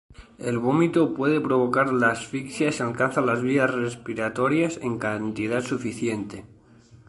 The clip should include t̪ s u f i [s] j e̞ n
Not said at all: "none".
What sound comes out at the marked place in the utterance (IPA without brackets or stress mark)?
θ